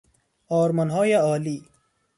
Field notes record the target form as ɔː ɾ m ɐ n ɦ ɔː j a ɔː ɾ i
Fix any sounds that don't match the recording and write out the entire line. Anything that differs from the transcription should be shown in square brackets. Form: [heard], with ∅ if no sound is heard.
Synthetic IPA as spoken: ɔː ɾ m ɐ n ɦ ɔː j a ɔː [l] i

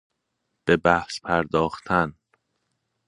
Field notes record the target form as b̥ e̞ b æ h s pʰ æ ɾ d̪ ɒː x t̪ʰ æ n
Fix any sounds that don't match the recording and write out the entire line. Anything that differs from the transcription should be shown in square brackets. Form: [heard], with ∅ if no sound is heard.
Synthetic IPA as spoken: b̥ e̞ b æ h s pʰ æ ɾ d̪ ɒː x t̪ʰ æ n

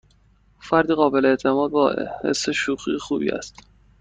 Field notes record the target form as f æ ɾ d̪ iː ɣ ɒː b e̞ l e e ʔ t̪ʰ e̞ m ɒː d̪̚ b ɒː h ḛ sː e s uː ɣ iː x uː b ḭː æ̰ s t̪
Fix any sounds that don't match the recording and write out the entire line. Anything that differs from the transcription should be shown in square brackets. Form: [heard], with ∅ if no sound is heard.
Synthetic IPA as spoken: f æ ɾ d̪ iː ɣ ɒː b e̞ l e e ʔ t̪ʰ e̞ m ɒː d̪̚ b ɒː h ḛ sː e [ʃ] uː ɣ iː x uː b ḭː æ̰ s t̪

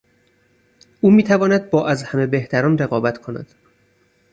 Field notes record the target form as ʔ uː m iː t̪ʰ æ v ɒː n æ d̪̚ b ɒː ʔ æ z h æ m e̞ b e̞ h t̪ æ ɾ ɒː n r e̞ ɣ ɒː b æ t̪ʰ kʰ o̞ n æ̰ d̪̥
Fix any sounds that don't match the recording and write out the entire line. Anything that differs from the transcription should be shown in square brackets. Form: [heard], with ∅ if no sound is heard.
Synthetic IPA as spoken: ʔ uː m iː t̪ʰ æ v ɒː n æ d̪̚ b ɒː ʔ æ z h æ m e̞ b e̞ h t̪ æ ɾ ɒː n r e̞ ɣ ɒː b æ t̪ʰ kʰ o̞ n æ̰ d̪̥

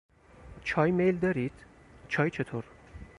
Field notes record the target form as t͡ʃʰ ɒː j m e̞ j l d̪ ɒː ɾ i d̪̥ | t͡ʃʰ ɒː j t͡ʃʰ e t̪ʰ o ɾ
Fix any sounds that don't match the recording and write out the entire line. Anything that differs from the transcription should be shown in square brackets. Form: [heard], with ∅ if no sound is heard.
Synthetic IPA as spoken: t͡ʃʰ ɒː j m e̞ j l d̪ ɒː ɾ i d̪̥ | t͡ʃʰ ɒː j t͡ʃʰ e t̪ʰ o ɾ

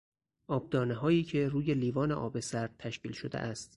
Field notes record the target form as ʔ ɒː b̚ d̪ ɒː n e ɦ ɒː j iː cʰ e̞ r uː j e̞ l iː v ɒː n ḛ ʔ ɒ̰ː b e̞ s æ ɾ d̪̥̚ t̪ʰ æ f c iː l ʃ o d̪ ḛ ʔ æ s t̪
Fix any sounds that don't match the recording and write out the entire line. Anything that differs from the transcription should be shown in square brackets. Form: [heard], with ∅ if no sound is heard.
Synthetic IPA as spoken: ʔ ɒː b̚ d̪ ɒː n e ɦ ɒː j iː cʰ e̞ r uː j e̞ l iː v ɒː n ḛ ʔ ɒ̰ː b e̞ s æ ɾ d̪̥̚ t̪ʰ æ [ʃ] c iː l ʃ o d̪ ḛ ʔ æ s t̪

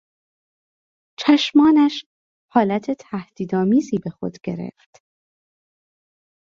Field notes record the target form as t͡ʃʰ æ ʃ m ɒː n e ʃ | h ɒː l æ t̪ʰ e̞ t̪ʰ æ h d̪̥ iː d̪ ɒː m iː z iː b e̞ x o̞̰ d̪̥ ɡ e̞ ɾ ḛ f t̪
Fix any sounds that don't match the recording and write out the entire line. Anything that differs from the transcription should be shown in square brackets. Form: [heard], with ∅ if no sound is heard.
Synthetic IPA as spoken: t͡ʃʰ æ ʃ m ɒː n [æ] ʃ | h ɒː l æ t̪ʰ e̞ t̪ʰ æ h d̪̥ iː d̪ ɒː m iː z iː b e̞ x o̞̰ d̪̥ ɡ e̞ ɾ ḛ f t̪

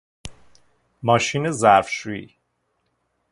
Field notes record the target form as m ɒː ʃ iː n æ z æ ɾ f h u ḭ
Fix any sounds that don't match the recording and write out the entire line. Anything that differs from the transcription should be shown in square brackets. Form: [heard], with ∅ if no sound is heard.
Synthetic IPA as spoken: m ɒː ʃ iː n [e] z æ ɾ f [ʃ] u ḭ

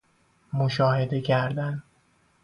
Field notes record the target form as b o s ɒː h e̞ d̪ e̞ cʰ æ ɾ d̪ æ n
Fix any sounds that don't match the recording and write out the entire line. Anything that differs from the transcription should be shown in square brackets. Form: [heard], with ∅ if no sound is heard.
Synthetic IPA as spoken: [m] o [ʃ] ɒː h e̞ d̪ e̞ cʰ æ ɾ d̪ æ n

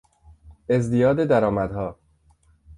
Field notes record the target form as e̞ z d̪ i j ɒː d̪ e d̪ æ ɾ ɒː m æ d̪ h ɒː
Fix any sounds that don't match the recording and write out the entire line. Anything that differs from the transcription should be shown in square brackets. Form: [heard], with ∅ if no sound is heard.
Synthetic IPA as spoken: e̞ z d̪ i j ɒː d̪ e d̪ æ ɾ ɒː m æ d̪ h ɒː

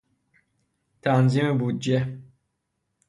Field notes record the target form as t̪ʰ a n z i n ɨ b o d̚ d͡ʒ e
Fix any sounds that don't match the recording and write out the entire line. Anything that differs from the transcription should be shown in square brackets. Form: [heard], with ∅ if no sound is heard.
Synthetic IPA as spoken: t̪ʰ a n z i [m] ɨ b [u] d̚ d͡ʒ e

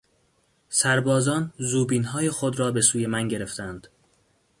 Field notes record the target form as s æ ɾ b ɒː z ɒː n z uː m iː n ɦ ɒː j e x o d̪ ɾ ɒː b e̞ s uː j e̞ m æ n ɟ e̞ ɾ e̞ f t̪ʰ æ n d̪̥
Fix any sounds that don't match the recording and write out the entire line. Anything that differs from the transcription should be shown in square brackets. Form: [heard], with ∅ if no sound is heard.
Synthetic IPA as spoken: s æ ɾ b ɒː z ɒː n z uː [b] iː n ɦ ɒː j e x o d̪ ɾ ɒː b e̞ s uː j e̞ m æ n ɟ e̞ ɾ e̞ f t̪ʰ æ n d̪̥

